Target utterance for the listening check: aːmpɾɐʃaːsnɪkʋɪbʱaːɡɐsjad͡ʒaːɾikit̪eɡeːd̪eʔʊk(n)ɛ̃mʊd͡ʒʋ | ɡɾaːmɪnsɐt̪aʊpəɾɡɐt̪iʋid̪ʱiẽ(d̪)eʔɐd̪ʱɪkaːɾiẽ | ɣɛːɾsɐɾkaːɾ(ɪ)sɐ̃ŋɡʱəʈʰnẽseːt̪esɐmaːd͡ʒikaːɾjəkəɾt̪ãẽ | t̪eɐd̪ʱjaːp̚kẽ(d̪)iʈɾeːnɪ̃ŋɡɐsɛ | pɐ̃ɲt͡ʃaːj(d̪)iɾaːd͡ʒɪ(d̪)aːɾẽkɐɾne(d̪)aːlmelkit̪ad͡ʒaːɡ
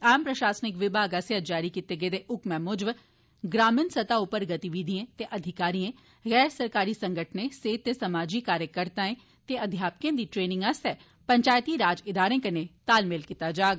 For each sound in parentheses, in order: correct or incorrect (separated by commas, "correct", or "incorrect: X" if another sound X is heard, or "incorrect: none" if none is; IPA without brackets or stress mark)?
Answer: incorrect: m, incorrect: t̪, incorrect: i, correct, incorrect: t̪, correct, incorrect: t̪